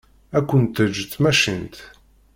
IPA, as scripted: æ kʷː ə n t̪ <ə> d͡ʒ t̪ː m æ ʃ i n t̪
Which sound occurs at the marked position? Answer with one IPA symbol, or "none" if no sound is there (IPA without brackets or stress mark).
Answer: ə